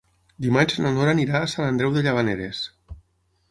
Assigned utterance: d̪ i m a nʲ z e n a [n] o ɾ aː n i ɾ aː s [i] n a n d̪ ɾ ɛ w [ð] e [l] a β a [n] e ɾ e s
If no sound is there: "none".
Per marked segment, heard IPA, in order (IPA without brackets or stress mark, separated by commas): n, a, ð, ʎ, n